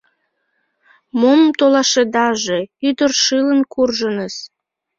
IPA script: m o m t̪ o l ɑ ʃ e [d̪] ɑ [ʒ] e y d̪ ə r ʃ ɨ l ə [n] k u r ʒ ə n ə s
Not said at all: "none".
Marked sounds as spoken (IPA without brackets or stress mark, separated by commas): d̪, ʒ, n